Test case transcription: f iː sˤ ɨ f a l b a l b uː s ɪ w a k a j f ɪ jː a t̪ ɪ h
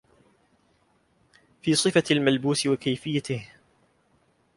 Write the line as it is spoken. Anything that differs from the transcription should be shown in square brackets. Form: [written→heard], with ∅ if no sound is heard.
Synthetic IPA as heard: f iː sˤ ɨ f a l [b→m] a l b uː s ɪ w a k a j f ɪ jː a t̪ ɪ h